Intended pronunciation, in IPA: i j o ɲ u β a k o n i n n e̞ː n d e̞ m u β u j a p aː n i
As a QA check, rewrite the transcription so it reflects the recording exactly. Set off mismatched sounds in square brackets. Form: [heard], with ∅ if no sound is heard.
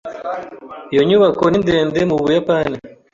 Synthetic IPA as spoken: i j o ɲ u β a k o n i n [d] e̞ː n d e̞ m u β u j a p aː n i

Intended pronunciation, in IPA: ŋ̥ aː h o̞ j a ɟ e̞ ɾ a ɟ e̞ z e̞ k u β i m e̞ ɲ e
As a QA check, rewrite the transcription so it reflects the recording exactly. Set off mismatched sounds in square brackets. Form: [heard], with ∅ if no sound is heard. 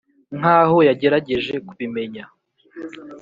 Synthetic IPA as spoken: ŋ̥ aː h o̞ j a ɟ e̞ ɾ a ɟ e̞ [ʒ] e̞ k u β i m e̞ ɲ [a]

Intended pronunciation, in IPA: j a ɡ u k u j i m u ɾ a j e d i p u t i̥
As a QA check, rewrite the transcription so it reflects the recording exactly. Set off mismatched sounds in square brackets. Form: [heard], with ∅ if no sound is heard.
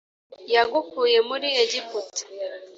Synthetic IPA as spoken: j a ɡ u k u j [e] m u ɾ [i] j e [ɟ] i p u t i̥

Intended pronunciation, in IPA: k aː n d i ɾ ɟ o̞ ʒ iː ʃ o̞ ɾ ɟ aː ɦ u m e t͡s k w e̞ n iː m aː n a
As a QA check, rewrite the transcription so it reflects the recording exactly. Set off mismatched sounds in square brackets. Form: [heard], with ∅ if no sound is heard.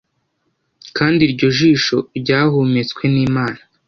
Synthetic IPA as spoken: k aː n d i ɾ ɟ o̞ ʒ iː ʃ o̞ ɾ ɟ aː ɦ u m e t͡s k w e̞ n iː m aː n a

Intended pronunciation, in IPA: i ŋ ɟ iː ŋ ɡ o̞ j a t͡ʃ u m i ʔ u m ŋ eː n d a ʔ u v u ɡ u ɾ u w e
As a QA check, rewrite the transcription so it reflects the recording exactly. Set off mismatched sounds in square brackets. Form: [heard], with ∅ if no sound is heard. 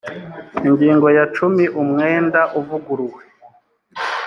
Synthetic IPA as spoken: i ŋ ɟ iː ŋ ɡ o̞ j a t͡ʃ u m i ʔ u m ŋ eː n d a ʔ u v u ɡ u ɾ u w e

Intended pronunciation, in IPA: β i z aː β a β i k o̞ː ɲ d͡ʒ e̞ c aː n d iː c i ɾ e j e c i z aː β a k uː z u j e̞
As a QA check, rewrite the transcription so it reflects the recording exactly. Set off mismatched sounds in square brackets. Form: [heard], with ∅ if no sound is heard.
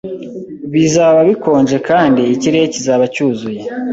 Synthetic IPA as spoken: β i z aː β a β i k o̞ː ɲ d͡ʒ e̞ [k] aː n d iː c i ɾ e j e c i z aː β a [c] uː z u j e̞

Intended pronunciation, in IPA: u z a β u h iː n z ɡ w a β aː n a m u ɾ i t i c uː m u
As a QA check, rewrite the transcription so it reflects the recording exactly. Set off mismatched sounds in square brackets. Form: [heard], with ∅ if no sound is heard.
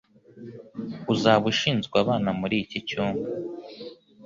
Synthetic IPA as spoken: u z a β u [ʃ] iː n z ɡ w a β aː n a m u ɾ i [c] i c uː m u

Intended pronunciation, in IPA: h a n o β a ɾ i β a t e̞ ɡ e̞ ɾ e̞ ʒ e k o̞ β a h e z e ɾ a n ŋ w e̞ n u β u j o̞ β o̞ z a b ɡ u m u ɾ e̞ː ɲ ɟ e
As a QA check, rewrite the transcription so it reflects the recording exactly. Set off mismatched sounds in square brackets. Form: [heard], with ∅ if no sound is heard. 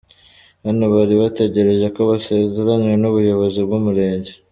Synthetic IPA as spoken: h a n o β a ɾ i β a t e̞ [ɟ] e̞ ɾ e̞ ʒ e k o̞ β a [s] e z e ɾ a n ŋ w e̞ n u β u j o̞ β o̞ z [i] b ɡ u m u ɾ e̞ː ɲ ɟ e

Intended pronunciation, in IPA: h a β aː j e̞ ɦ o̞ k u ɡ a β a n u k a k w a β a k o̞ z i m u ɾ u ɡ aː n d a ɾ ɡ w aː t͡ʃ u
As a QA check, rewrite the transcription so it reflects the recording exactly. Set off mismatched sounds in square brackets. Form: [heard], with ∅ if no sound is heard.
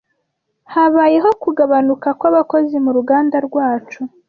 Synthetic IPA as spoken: h a β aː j e̞ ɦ o̞ k u ɡ a β a n u k a k w a β a k o̞ z i m u ɾ u ɡ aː n d a ɾ ɡ w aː t͡ʃ u

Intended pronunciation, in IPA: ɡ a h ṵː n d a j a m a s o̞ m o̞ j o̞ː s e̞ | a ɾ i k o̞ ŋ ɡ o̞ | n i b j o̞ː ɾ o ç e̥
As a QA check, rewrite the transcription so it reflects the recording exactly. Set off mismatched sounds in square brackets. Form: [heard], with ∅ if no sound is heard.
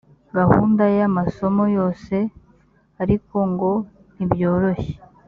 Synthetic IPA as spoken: ɡ a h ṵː n d a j a m a s o̞ m o̞ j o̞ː s e̞ | a ɾ i k o̞ ŋ ɡ o̞ | n i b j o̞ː ɾ o ç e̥

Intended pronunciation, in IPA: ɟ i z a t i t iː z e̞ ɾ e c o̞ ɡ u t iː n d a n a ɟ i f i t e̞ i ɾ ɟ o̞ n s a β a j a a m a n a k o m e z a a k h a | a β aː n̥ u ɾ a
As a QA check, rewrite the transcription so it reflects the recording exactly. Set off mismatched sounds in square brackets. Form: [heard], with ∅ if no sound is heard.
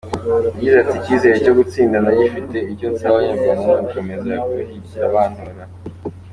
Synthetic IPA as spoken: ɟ i z a t i [c] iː z e̞ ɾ e c o̞ ɡ u [t͡s] iː n d a n a ɟ i f i t e̞ i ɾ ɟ o̞ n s a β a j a a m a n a k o m e z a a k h [i] | a β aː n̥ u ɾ a

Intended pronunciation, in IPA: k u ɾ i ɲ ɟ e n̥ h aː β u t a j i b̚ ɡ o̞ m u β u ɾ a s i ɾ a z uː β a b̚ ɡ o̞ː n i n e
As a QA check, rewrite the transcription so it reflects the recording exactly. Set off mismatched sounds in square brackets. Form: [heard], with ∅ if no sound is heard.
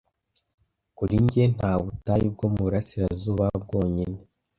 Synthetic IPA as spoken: k u ɾ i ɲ ɟ e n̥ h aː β u t a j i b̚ ɡ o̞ m u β u ɾ a s i ɾ a z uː β a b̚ ɡ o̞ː [ɲ] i n e

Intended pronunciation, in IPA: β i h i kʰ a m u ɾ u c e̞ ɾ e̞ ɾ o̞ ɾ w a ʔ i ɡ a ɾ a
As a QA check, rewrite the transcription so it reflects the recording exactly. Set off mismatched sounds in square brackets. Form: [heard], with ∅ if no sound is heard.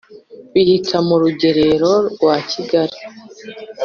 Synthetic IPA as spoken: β i h i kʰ a m u ɾ u [ɟ] e̞ ɾ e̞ ɾ o̞ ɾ w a [c] i ɡ a ɾ [i]

